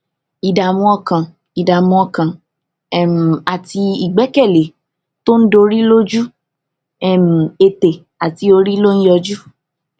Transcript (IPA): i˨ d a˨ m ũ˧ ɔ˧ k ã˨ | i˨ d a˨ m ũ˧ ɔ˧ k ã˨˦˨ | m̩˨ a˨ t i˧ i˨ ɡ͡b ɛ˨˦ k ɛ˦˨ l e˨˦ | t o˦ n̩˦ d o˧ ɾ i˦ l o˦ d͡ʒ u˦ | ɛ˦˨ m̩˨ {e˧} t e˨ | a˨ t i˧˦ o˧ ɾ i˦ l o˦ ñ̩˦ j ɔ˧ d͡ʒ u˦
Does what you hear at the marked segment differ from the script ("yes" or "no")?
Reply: no